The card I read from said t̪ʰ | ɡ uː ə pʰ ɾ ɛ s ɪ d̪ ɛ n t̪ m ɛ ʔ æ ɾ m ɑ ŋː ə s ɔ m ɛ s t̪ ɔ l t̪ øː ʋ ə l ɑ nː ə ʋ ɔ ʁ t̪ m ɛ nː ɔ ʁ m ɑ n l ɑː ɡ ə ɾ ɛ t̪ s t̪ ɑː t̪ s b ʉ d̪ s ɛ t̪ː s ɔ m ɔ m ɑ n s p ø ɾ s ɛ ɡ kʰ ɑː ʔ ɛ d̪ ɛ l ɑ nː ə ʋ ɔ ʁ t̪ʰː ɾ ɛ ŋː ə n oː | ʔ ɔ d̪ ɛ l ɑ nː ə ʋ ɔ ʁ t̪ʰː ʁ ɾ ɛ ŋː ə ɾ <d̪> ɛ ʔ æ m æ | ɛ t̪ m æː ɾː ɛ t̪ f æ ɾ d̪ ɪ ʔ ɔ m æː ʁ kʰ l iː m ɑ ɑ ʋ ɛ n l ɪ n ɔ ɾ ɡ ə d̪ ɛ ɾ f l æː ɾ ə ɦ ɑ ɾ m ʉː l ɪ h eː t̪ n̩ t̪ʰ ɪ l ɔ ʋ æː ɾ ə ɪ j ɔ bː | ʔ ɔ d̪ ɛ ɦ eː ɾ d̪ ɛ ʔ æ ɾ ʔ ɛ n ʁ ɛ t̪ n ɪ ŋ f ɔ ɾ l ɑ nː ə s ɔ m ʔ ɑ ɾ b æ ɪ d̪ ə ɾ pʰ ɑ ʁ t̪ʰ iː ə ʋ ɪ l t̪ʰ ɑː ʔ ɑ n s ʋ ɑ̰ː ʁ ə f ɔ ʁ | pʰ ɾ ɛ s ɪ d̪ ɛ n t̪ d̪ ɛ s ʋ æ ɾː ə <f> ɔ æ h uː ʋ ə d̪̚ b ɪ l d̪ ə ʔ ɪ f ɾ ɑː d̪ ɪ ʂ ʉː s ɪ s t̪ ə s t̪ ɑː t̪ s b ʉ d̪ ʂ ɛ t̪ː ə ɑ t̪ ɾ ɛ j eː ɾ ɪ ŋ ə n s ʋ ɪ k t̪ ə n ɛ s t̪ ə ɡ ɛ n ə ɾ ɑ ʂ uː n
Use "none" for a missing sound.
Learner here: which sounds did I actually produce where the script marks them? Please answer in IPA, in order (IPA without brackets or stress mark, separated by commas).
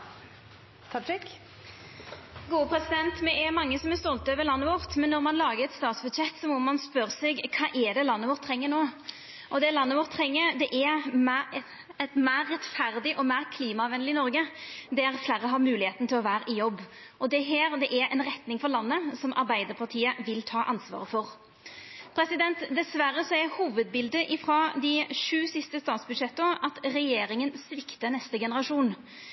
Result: d̪, s